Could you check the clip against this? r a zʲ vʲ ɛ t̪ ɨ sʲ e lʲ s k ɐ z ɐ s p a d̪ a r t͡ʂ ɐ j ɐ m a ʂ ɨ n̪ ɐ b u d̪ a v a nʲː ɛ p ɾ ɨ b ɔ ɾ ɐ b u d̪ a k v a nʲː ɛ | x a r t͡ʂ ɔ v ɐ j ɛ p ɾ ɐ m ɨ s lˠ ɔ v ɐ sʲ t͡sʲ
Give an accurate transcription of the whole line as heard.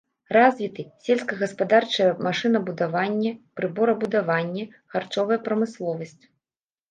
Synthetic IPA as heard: r a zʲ vʲ i t̪ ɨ sʲ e lʲ s k ɐ ɣ ɐ s p a d̪ a r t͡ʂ ɐ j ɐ m a ʂ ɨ n̪ ɐ b u d̪ a v a nʲː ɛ p ɾ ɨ b ɔ ɾ ɐ b u d̪ a v a nʲː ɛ | x a r t͡ʂ ɔ v ɐ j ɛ p ɾ ɐ m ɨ s lˠ ɔ v ɐ sʲ t͡sʲ